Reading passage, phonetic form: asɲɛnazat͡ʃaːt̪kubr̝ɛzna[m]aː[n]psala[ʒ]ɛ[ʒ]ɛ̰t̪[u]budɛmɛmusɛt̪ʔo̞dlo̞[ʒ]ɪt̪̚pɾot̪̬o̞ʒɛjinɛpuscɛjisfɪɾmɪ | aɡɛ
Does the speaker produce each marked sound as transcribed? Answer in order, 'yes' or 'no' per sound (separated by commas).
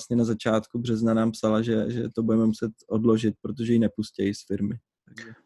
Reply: no, no, yes, yes, no, yes